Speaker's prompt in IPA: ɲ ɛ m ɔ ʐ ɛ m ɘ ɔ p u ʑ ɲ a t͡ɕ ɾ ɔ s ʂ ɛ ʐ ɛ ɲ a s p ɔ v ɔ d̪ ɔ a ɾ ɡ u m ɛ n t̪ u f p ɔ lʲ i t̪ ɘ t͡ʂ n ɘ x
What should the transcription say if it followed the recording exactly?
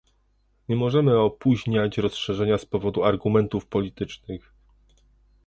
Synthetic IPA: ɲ ɛ m ɔ ʐ ɛ m ɘ ɔ p u ʑ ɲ a t͡ɕ ɾ ɔ s ʂ ɛ ʐ ɛ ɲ a s p ɔ v ɔ d̪ u a ɾ ɡ u m ɛ n t̪ u f p ɔ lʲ i t̪ ɘ t͡ʂ n ɘ x

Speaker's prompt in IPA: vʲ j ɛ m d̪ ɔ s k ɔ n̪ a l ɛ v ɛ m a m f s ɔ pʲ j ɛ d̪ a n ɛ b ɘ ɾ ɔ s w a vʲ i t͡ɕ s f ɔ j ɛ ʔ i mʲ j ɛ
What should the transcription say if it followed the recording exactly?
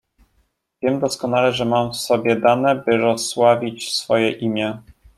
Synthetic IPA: vʲ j ɛ m d̪ ɔ s k ɔ n̪ a l ɛ ʐ ɛ m a m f s ɔ bʲ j ɛ d̪ a n ɛ b ɘ ɾ ɔ s w a vʲ i t͡ɕ s f ɔ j ɛ ʔ i mʲ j ɛ

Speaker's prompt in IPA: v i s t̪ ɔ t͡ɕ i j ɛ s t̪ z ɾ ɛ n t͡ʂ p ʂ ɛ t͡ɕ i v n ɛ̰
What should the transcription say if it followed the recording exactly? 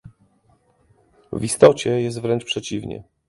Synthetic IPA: v i s t̪ ɔ t͡ɕ ɛ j ɛ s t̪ v ɾ ɛ n t͡ʂ p ʂ ɛ t͡ɕ i v ɲ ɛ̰

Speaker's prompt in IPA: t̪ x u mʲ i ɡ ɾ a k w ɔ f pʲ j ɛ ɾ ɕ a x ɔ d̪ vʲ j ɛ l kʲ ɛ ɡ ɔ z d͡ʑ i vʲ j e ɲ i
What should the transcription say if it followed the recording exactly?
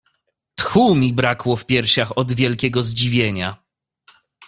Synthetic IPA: t̪ x u mʲ i b ɾ a k w ɔ f pʲ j ɛ ɾ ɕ a x ɔ d̪ vʲ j ɛ l kʲ ɛ ɡ ɔ z d͡ʑ i vʲ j e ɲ a

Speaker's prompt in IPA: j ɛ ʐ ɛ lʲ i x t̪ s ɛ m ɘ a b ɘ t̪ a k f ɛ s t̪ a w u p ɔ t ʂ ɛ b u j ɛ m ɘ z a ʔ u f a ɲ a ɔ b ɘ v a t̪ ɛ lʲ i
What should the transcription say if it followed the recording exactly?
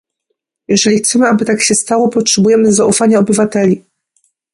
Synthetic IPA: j ɛ ʐ ɛ lʲ i x t̪ s ɛ m ɘ a b ɘ t̪ a k ɕ ɛ s t̪ a w ɔ p ɔ t ʂ ɛ b u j ɛ m ɘ z a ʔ u f a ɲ a ɔ b ɘ v a t̪ ɛ lʲ i

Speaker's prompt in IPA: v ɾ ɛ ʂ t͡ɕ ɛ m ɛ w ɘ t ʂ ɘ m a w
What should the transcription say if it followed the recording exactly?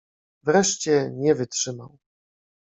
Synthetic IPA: v ɾ ɛ ʂ t͡ɕ ɛ ɲ ɛ v ɘ t ʂ ɘ m a w

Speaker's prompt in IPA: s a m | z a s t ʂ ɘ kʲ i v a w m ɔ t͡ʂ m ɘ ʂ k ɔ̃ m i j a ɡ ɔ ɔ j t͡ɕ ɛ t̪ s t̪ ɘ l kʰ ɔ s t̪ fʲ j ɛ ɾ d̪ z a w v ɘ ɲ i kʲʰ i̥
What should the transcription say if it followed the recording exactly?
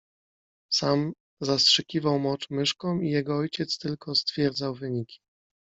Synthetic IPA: s a m | z a s t ʂ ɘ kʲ i v a w m ɔ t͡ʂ m ɘ ʂ k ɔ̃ m i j ɛ ɡ ɔ ɔ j t͡ɕ ɛ t̪ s t̪ ɘ l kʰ ɔ s t̪ fʲ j ɛ ɾ d̪ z a w v ɘ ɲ i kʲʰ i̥

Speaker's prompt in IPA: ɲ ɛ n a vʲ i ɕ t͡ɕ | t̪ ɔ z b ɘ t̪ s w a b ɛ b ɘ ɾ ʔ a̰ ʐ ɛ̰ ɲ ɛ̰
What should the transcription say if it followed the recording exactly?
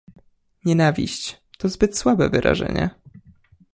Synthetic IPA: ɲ ɛ n a vʲ i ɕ t͡ɕ | t̪ ɔ z b ɘ t̪ s w a b ɛ v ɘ ɾ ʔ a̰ ʐ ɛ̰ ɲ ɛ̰

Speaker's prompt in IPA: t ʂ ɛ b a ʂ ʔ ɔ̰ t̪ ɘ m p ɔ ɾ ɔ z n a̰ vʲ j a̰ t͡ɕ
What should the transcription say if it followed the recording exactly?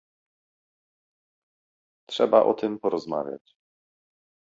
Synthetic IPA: t ʂ ɛ b a ʔ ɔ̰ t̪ ɘ m p ɔ ɾ ɔ z m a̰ vʲ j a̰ t͡ɕ

